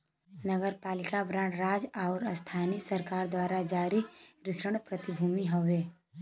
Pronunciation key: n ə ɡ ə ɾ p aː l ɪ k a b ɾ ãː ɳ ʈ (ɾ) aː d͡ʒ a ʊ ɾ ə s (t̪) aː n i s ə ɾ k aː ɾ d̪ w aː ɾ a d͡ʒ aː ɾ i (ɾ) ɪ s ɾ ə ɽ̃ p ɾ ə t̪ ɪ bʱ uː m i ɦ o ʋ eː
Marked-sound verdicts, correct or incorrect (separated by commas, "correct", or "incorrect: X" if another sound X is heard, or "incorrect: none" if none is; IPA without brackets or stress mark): correct, incorrect: t̪ʰ, correct